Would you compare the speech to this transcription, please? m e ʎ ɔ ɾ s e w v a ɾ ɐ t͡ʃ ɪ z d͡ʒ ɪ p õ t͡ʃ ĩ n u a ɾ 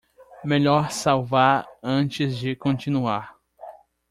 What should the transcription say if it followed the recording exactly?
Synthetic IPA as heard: m e ʎ ɔ ɾ s a w v a ɾ ɐ̃ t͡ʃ ɪ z d͡ʒ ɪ k õ t͡ʃ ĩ n u a ɾ